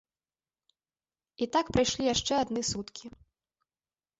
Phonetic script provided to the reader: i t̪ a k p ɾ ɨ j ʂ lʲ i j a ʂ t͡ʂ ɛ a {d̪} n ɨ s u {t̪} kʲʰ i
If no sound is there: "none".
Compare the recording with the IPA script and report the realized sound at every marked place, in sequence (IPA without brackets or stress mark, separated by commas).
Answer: d̪, t̪